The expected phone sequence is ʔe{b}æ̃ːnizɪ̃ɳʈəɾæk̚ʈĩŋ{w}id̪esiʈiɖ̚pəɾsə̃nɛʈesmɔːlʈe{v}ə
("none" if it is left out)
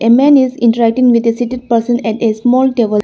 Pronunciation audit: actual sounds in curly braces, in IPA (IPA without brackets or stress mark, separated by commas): m, ʋ, ʋ